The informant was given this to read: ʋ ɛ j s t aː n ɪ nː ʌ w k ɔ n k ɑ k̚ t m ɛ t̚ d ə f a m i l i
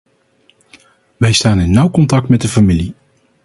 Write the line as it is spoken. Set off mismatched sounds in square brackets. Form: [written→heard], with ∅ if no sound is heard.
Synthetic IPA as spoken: ʋ ɛ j s t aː n ɪ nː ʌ w k ɔ n [k→t] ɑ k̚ t m ɛ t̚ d ə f a m i l i